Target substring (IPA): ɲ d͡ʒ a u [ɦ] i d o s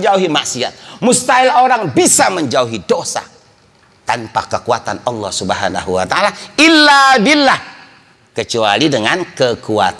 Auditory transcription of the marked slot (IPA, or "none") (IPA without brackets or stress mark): ɦ